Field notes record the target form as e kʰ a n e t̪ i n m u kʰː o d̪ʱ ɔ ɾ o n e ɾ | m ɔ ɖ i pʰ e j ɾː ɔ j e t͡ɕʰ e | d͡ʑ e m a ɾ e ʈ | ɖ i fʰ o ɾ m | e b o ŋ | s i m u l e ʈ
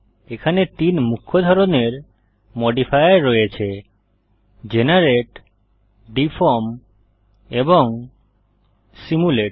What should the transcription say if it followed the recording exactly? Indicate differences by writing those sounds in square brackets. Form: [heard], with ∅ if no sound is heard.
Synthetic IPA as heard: e kʰ a n e t̪ i n m u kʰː o d̪ʱ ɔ ɾ o n e ɾ | m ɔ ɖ i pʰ [a] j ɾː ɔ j e t͡ɕʰ e | d͡ʑ e [n] a ɾ e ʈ | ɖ i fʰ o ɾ m | e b o ŋ | s i m u l e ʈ